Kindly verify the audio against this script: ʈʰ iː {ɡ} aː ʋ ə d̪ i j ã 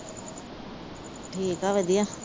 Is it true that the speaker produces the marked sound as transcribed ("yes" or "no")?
no